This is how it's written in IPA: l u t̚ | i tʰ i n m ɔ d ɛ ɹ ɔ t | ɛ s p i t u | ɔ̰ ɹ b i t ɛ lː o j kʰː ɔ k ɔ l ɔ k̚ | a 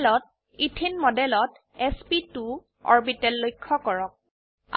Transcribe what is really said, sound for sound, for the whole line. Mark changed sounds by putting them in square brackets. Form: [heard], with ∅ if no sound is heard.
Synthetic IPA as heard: l [ɔ] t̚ | i tʰ i n m ɔ d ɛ [l] ɔ t | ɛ s p i t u | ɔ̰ ɹ b i t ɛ lː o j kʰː ɔ k ɔ [ɹ] ɔ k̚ | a